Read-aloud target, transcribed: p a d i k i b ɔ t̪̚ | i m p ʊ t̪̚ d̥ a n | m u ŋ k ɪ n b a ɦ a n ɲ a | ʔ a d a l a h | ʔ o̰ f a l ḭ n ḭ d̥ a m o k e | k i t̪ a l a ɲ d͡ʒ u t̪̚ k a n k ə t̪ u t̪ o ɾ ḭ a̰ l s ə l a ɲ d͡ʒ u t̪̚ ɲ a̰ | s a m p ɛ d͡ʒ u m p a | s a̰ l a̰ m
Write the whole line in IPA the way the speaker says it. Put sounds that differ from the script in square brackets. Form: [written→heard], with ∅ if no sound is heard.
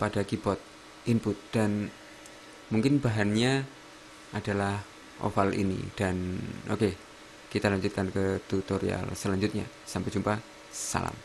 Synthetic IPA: p a d [i→a] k i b ɔ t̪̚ | i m p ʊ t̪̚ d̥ a n | m u ŋ k ɪ n b a ɦ a n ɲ a | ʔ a d a l a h | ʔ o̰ f a l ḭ n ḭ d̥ a [m→n] o k e | k i t̪ a l a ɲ d͡ʒ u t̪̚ k a n k ə t̪ u t̪ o ɾ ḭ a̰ l s ə l a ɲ d͡ʒ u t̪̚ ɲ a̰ | s a m p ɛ d͡ʒ u m p a | s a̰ l a̰ m